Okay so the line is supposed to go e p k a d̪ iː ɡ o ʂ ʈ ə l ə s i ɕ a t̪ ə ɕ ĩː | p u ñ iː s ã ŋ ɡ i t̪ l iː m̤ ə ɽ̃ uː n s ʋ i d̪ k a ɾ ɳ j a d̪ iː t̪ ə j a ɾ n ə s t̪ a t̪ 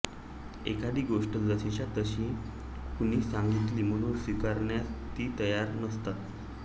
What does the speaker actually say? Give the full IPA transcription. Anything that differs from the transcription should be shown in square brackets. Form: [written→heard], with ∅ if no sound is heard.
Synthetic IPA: e [p→∅] k a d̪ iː ɡ o ʂ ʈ ə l ə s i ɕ a t̪ ə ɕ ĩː | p u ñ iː s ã ŋ ɡ i t̪ l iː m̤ ə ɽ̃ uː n s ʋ i [d̪→∅] k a ɾ ɳ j a [d̪→t̪] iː t̪ ə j a ɾ n ə s t̪ a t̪